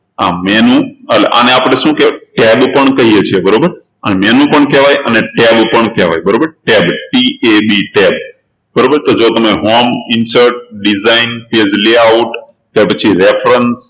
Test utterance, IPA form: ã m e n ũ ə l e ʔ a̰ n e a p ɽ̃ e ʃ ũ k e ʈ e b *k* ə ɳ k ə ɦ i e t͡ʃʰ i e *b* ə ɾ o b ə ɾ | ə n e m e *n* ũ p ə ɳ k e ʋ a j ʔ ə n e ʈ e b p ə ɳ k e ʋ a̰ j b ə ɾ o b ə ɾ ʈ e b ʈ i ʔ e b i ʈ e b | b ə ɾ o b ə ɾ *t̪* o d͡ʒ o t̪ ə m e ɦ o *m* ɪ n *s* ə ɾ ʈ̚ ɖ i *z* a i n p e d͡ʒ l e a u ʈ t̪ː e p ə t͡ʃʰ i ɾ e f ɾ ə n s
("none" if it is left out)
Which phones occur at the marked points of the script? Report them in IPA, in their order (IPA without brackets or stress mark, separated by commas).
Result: p, b, n, t̪, m, s, z